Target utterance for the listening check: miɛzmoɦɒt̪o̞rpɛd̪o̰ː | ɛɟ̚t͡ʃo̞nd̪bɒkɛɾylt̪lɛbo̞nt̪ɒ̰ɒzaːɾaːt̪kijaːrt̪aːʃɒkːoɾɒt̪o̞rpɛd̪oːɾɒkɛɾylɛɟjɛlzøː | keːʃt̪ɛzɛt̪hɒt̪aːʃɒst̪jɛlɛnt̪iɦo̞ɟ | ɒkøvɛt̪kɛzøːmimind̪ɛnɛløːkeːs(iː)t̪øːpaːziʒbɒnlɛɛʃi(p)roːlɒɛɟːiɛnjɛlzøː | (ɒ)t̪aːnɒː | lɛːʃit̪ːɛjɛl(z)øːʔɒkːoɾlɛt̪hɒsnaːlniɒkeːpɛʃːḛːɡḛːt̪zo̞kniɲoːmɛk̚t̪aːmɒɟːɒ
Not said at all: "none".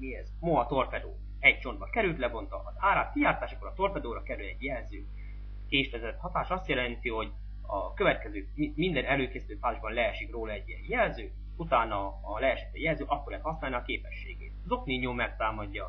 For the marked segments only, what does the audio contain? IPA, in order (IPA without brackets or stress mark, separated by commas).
i, k, u, z